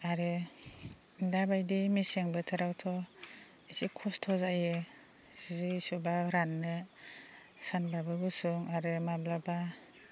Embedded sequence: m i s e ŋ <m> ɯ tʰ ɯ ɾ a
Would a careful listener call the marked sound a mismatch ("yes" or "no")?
yes